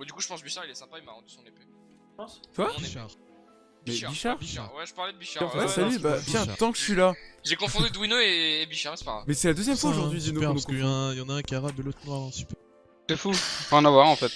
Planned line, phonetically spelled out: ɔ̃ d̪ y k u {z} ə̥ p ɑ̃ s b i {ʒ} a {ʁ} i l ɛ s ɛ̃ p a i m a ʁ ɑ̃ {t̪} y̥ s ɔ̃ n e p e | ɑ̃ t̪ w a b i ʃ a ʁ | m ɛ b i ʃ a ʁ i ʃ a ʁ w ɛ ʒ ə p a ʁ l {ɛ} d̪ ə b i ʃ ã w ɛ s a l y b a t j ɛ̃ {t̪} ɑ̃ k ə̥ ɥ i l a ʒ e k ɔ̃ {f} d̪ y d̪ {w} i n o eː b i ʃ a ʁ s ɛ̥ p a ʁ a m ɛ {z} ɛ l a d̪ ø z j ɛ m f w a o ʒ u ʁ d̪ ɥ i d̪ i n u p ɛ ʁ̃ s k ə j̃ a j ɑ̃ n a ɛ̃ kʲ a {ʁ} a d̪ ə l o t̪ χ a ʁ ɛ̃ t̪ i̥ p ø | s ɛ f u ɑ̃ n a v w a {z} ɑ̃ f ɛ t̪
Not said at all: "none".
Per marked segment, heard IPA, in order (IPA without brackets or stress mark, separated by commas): ʒ, ʃ, ʁ, d̪, ɛ, t̪, f, w, s, ʁ, ʁ